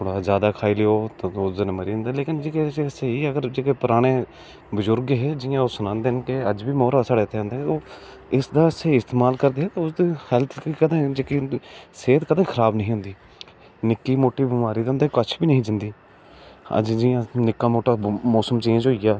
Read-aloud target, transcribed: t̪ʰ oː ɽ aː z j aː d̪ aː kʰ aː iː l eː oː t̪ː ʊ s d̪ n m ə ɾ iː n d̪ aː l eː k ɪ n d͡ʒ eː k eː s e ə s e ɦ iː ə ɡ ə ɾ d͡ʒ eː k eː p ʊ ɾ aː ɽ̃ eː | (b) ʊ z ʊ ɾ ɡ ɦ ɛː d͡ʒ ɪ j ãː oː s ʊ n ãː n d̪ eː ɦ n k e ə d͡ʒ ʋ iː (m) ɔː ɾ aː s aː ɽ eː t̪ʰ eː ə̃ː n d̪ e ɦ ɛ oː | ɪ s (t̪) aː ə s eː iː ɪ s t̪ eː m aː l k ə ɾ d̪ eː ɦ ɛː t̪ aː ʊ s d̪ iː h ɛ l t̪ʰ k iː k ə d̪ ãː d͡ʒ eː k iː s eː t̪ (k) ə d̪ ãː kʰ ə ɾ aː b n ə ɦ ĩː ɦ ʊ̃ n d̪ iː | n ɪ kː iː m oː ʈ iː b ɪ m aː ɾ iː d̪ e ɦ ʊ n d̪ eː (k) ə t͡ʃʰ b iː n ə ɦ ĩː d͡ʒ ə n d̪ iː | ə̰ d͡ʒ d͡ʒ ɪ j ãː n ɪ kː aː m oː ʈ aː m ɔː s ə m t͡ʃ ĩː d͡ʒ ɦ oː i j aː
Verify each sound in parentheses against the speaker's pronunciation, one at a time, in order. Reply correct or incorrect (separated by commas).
correct, correct, incorrect, correct, correct